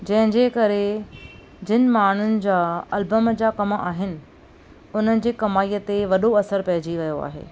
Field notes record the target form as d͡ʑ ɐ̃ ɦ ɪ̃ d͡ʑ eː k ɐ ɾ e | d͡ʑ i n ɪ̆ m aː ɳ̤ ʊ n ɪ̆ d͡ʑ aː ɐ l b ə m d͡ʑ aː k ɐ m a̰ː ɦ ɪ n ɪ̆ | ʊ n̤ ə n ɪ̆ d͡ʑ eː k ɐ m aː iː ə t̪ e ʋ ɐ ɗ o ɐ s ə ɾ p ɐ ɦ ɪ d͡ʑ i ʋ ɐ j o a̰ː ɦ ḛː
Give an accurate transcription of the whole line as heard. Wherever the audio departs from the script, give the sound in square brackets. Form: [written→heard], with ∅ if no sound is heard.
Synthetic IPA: d͡ʑ ɐ̃ ɦ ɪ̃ d͡ʑ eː k ɐ ɾ e | d͡ʑ [i→ɪ] n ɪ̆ m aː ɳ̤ ʊ n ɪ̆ d͡ʑ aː ɐ l b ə m d͡ʑ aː k ɐ m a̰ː ɦ ɪ n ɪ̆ | ʊ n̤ ə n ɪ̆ d͡ʑ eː k ɐ m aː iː ə t̪ e ʋ ɐ ɗ o ɐ s ə ɾ p ɐ ɦ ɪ d͡ʑ i ʋ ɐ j o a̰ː ɦ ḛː